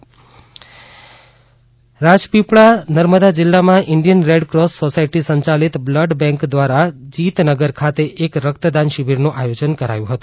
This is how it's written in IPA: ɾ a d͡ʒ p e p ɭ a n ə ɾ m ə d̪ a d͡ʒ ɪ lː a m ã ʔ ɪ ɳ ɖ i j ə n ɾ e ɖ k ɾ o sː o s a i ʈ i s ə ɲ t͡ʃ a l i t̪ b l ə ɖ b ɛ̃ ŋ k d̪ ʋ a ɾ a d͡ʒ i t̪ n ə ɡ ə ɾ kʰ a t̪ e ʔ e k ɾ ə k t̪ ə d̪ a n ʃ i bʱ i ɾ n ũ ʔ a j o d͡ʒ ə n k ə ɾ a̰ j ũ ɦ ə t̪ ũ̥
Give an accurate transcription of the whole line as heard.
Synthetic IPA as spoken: ɾ a d͡ʒ p i p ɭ a n ə ɾ m ə d̪ a d͡ʒ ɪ lː a m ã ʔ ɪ ɳ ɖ i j ə n ɾ e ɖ k ɾ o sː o s a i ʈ i s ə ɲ t͡ʃ a l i t̪ b l ə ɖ b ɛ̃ ŋ k d̪ ʋ a ɾ a d͡ʒ i t̪ n ə ɡ ə ɾ kʰ a t̪ e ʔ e k ɾ ə k t̪ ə d̪ a n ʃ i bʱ i ɾ n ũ ʔ a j o d͡ʒ ə n k ə ɾ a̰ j ũ ɦ ə t̪ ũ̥

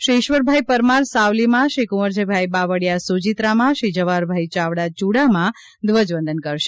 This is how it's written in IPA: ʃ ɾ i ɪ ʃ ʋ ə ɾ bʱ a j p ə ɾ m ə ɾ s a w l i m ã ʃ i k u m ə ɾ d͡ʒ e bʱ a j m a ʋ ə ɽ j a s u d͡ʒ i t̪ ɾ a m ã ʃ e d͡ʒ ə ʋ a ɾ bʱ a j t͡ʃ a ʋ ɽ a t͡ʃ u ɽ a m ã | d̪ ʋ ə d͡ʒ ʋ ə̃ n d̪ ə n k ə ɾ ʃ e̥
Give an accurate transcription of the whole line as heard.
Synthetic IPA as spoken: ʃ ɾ i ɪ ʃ ʋ ə ɾ bʱ a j p ə ɾ m a ɾ s a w l i m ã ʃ i k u m ə ɾ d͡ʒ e bʱ a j b a ʋ ə ɽ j a s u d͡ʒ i t̪ ɾ a m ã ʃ i d͡ʒ ə ʋ a ɾ bʱ a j t͡ʃ a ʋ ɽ a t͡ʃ u ɽ a m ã | d̪ ʋ ə d͡ʒ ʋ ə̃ n d̪ ə n k ə ɾ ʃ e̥

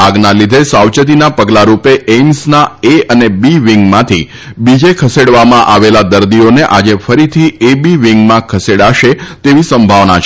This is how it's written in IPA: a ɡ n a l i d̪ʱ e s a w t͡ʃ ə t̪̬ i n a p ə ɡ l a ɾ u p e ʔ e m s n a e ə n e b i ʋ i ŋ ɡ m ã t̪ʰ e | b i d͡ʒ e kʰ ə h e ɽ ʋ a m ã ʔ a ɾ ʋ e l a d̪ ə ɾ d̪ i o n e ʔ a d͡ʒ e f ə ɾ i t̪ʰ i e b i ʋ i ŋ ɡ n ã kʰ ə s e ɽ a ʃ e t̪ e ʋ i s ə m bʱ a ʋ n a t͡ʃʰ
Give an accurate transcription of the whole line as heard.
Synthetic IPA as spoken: a ɡ n a l i d̪ʱ e s a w t͡ʃ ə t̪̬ i n a p ə ɡ l a ɾ u p e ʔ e m s n a e ə n e b i ʋ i ŋ ɡ m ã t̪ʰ i | b i d͡ʒ e kʰ ə s e ɽ ʋ a m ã ʔ a ʋ e l a d̪ ə ɾ d̪ i o n e ʔ a d͡ʒ e f ə ɾ i t̪ʰ i e b i ʋ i ŋ ɡ m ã kʰ ə s e ɽ a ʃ e t̪ e ʋ i s ə m bʱ a ʋ n a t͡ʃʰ

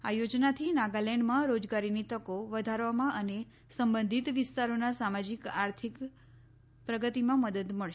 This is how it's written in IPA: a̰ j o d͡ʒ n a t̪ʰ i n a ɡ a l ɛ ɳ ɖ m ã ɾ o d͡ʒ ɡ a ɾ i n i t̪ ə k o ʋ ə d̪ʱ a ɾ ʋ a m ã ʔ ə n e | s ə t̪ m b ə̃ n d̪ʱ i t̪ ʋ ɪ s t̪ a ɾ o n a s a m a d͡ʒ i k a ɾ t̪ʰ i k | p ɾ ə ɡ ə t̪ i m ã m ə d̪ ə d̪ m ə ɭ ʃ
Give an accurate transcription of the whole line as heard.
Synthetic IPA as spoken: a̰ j o d͡ʒ n a t̪ʰ i n a ɡ a l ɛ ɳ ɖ m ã ɾ o d͡ʒ ɡ a ɾ i n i t̪ ə k o ʋ ə d̪ʱ a ɾ ʋ a m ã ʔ ə n e | s ə m b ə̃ n d̪ʱ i t̪ ʋ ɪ s t̪ a ɾ o n a s a m a d͡ʒ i k a ɾ t̪ʰ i k | p ɾ ə ɡ ə t̪ i m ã m ə d̪ ə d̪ m ə ɭ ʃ

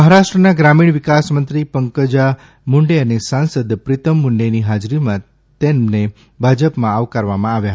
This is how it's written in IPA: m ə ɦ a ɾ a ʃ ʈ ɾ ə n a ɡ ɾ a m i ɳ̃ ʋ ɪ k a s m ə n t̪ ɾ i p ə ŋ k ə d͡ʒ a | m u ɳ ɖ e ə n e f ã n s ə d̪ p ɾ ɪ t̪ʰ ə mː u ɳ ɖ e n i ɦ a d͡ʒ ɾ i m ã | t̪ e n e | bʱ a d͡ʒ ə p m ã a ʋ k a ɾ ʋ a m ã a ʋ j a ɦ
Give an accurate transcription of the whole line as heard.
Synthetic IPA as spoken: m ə ɦ a ɾ a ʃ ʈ ɾ ə n a ɡ ɾ a m i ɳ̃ ʋ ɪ k a s m ə n t̪ ɾ i p ə ŋ k ə d͡ʒ a | m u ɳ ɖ e ə n e s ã n s ə d̪ p ɾ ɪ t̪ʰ ə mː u ɳ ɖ e n i ɦ a d͡ʒ ɾ i m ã | t̪ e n e | bʱ a d͡ʒ ə p m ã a ʋ k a ɾ ʋ a m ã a ʋ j a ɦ

